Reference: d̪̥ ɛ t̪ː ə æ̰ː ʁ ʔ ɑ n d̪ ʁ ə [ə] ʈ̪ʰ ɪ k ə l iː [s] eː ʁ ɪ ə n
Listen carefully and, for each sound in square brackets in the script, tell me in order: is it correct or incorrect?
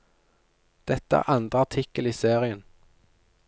incorrect: ɑ, correct

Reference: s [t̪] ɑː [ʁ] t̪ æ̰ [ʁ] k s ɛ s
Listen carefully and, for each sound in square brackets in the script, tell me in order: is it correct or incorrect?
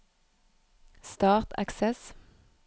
correct, correct, incorrect: none

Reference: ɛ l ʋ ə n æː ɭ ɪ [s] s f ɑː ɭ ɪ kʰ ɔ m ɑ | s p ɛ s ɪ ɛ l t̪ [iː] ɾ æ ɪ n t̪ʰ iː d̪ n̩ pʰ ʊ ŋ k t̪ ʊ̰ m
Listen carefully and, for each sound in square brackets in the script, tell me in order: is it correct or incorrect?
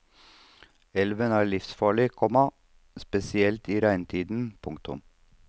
incorrect: f, correct

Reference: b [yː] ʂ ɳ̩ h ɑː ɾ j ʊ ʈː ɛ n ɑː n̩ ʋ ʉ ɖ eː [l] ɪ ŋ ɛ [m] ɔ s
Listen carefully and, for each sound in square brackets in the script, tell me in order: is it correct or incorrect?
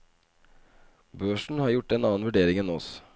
incorrect: øː, incorrect: ɾ, incorrect: n

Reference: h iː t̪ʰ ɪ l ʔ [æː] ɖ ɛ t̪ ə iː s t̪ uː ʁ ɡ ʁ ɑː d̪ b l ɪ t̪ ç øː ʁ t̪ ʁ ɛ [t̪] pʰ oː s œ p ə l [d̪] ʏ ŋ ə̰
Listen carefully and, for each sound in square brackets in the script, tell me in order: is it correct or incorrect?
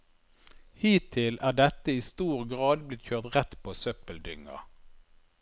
correct, correct, correct

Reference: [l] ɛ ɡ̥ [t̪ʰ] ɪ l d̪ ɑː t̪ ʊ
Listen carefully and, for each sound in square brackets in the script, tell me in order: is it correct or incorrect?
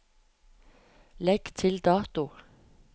correct, correct

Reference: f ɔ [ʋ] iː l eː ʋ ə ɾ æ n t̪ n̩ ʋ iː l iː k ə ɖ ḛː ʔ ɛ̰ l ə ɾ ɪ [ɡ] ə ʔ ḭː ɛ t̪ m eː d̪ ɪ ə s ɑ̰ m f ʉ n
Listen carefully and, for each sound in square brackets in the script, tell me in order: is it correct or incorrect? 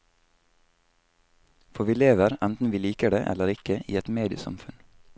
correct, incorrect: k

